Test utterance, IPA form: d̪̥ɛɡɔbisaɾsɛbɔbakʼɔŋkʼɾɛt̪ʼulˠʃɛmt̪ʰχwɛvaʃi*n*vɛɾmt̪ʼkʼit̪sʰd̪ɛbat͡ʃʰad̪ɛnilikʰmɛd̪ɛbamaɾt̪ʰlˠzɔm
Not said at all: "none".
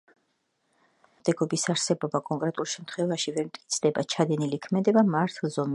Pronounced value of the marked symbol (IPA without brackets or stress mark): none